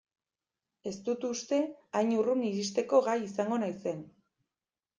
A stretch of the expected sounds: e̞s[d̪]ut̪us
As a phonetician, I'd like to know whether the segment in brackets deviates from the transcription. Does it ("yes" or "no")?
yes